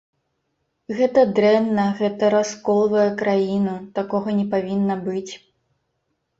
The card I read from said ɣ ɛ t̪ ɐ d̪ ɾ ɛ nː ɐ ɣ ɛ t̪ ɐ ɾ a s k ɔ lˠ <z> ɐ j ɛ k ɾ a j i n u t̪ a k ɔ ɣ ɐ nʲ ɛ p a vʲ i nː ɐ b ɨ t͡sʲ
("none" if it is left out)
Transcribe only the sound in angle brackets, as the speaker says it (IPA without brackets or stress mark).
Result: v